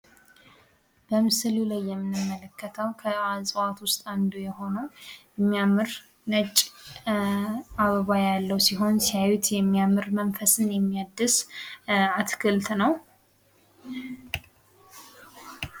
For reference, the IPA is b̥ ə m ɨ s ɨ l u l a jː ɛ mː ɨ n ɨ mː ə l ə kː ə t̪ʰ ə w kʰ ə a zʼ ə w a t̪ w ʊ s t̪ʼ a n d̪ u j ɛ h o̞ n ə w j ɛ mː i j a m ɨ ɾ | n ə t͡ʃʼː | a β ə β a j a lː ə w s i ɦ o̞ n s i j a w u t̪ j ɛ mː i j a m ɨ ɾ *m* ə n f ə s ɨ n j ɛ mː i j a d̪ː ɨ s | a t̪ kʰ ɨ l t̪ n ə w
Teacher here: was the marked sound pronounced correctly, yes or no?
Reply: yes